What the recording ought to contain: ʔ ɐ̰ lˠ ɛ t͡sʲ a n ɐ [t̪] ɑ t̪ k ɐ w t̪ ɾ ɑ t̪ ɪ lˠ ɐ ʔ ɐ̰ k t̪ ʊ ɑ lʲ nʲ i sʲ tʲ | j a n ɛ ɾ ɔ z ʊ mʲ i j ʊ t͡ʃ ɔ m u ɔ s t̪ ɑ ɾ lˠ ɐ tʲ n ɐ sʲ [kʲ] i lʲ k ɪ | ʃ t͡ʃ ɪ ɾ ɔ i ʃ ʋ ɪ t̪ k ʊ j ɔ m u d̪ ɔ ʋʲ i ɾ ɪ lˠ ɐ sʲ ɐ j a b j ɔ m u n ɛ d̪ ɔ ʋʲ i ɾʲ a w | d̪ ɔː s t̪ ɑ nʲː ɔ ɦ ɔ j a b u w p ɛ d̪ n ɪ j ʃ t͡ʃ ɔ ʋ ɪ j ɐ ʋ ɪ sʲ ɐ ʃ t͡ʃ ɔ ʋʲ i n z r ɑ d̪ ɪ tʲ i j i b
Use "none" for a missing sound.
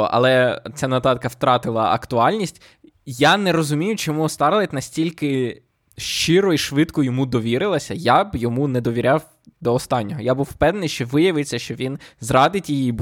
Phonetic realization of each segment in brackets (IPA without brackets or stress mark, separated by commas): t̪, tʲ